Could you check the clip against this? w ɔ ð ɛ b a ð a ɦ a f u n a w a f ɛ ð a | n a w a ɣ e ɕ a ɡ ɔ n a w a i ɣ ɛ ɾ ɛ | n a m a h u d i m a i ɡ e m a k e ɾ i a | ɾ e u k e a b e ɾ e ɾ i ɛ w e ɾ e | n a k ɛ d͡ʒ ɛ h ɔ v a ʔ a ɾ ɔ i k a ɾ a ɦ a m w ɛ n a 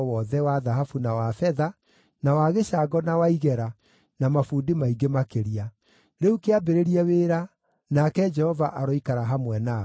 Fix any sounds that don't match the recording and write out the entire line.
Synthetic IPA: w ɔ ð ɛ w a ð a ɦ a f u n a w a f ɛ ð a | n a w a ɣ e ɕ a ɡ ɔ n a w a i ɣ ɛ ɾ a | n a m a f u d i m a i ɡ e m a k e ɾ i a | ɾ e u k e a b e ɾ e ɾ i ɛ w e ɾ a | n a k ɛ d͡ʒ ɛ h ɔ v a ʔ a ɾ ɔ i k a ɾ a ɦ a m w ɛ n a